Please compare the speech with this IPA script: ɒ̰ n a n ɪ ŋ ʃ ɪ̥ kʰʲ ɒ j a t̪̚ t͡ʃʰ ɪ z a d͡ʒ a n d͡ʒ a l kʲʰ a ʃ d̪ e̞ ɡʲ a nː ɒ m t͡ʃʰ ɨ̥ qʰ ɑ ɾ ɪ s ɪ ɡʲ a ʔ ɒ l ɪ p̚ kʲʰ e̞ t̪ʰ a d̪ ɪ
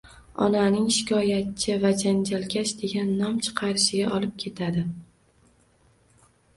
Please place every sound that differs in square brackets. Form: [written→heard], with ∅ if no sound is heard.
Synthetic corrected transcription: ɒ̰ n a n ɪ ŋ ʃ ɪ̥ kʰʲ ɒ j a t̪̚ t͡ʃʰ ɪ [z→v] a d͡ʒ a n d͡ʒ a l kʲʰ a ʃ d̪ e̞ ɡʲ a nː ɒ m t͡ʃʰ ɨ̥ qʰ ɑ ɾ ɪ [s→ʃ] ɪ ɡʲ a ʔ ɒ l ɪ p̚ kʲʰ e̞ t̪ʰ a d̪ ɪ